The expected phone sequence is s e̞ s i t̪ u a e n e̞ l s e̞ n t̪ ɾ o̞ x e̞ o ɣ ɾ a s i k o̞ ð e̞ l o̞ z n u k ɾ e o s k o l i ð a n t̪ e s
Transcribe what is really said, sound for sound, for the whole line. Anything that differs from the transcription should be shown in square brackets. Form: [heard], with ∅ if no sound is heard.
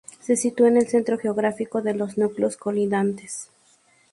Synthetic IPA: s e̞ s i t̪ u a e n e̞ l s e̞ n t̪ ɾ o̞ x e̞ o ɣ ɾ a [f] i k o̞ ð e̞ l o̞ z n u k [l] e o s k o l i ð a n t̪ e s